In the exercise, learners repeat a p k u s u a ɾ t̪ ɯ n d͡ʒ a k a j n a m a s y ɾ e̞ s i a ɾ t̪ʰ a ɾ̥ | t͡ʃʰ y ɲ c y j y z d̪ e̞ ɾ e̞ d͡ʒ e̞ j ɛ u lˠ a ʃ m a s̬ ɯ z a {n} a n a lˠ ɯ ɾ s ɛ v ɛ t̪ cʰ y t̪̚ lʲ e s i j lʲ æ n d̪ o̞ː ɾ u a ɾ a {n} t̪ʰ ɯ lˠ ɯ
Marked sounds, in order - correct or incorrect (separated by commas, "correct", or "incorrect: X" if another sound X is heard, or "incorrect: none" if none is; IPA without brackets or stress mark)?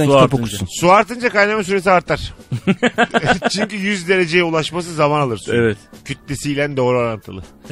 incorrect: m, correct